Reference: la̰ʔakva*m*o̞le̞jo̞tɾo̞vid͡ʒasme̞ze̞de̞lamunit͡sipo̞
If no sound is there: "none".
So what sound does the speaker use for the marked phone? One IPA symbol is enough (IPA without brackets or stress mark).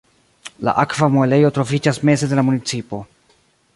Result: m